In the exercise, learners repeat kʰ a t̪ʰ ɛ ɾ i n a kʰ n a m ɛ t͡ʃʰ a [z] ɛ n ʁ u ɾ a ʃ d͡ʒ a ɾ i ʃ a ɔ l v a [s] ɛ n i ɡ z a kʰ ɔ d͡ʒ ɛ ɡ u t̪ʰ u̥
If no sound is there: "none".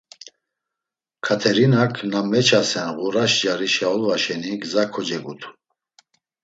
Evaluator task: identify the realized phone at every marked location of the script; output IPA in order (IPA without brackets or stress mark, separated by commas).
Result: s, ʃ